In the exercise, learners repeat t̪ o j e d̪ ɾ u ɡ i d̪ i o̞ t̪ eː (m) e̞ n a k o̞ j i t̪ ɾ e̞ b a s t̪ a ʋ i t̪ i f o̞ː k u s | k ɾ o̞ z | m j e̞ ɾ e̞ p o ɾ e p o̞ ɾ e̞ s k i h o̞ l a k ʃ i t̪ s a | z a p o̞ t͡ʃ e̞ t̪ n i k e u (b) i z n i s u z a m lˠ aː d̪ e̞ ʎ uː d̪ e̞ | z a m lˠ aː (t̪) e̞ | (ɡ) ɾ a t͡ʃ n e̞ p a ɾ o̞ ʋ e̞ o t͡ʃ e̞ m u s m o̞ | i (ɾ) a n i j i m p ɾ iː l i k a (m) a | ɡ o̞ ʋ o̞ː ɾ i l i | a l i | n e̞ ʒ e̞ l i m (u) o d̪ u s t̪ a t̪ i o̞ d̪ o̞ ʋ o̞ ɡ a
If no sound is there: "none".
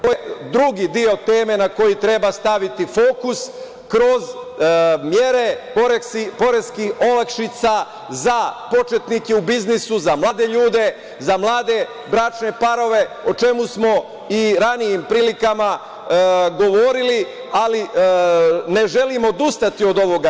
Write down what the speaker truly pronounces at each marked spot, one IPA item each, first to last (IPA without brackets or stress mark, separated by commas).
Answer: m, b, d̪, b, ɾ, m, o